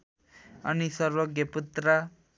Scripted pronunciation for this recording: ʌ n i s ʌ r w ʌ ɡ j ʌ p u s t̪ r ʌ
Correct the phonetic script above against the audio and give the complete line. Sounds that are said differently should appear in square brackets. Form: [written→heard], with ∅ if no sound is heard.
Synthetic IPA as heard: ʌ n i s ʌ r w ʌ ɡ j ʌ p u [s→∅] t̪ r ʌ